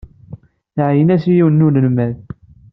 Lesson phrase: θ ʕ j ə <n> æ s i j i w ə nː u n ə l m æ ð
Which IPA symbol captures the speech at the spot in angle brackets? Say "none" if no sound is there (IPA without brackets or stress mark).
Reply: n